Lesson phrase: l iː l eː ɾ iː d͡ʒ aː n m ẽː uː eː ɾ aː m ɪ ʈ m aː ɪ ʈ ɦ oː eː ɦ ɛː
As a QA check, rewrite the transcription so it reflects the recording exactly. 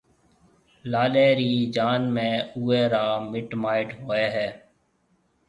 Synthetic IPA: l aː l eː ɾ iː d͡ʒ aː n m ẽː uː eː ɾ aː m ɪ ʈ m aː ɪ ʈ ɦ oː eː ɦ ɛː